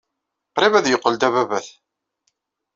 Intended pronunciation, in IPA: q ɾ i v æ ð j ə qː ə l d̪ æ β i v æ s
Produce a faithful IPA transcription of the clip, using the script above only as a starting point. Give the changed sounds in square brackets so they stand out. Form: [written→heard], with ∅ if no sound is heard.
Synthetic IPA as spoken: q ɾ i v æ ð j ə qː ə l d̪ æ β [i→æ] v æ [s→θ]